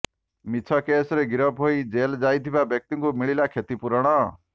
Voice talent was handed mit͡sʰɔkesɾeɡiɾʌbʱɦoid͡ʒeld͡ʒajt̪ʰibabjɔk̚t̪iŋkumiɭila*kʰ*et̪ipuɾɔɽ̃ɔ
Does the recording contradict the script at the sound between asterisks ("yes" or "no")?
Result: no